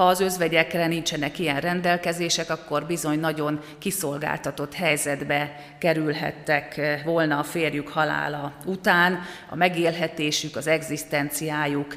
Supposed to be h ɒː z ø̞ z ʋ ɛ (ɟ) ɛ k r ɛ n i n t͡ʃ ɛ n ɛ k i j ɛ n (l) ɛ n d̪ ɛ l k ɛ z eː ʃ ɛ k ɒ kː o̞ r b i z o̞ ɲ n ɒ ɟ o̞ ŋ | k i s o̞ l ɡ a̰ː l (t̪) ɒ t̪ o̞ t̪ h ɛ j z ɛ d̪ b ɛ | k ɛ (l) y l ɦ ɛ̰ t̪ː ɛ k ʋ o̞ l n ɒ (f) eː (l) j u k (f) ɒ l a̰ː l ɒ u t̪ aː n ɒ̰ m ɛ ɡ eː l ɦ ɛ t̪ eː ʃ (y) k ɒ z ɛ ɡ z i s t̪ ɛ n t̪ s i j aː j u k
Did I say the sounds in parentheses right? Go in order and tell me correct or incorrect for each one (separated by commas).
correct, incorrect, correct, incorrect, correct, incorrect, incorrect, correct